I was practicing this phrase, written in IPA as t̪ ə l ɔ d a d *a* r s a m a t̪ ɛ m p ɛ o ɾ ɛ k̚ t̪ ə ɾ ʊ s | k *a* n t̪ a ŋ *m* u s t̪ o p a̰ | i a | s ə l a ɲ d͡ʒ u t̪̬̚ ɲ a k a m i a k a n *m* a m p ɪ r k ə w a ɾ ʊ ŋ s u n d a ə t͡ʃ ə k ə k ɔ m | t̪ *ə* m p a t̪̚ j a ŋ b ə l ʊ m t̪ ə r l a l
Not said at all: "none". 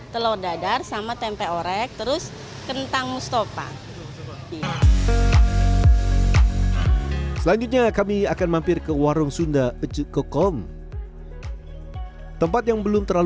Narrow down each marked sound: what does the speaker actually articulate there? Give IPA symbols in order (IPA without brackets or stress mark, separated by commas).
a, ə, m, m, ə